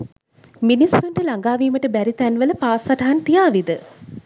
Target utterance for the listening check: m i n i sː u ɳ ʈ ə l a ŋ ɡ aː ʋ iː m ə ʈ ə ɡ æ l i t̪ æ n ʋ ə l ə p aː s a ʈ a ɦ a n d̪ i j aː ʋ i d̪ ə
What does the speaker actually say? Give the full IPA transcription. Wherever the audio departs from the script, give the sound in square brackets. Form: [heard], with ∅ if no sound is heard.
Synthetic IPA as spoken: m i n i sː u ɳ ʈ ə l a ŋ ɡ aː ʋ iː m ə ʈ ə [b] æ [ɾ] i t̪ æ n ʋ ə l ə p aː s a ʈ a ɦ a n [t̪] i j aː ʋ i d̪ ə